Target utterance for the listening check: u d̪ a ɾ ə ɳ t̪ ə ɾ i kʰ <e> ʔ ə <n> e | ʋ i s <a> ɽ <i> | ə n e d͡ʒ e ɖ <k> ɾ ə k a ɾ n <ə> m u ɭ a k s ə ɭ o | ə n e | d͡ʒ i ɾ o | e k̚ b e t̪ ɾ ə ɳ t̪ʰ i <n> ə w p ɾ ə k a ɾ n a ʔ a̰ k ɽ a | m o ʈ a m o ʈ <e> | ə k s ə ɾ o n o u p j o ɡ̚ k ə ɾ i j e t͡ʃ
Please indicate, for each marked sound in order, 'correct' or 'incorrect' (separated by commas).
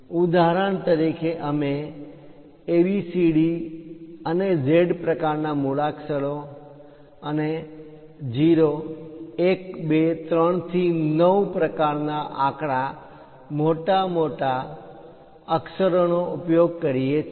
correct, incorrect, incorrect, correct, incorrect, incorrect, correct, incorrect